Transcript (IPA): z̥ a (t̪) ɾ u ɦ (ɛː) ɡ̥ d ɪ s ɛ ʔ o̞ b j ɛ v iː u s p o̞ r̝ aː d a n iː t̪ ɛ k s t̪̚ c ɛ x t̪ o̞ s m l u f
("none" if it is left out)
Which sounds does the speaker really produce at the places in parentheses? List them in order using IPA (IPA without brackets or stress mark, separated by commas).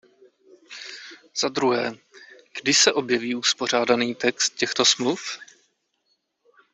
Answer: d̪, ɛː